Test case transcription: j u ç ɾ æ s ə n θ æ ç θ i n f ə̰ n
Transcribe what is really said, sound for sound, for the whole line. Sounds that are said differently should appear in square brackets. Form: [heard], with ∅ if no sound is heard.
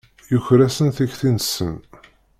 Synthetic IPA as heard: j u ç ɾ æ s ə n θ æ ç θ i n [s] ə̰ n